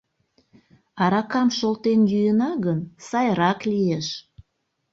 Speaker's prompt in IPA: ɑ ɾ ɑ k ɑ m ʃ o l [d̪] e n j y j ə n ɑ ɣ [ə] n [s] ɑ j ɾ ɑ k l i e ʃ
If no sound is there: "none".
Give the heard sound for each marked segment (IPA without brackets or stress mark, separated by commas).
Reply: t̪, ə, s